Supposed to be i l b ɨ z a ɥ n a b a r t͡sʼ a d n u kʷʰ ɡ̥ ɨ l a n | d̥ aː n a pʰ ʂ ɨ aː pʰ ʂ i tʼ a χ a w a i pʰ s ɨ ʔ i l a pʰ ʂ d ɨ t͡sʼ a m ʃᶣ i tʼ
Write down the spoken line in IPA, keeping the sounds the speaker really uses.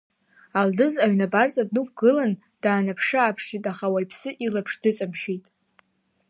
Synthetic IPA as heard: a l d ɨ z a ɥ n a b a r t͡sʼ a d n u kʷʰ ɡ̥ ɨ l a n | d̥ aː n a pʰ ʂ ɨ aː pʰ ʂ i tʼ a χ a w a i pʰ s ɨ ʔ i l a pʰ ʂ d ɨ t͡sʼ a m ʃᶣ i tʼ